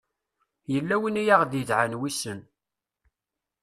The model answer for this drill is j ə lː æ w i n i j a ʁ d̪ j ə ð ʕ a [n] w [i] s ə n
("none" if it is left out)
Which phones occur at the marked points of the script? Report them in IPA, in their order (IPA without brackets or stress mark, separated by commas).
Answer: n, i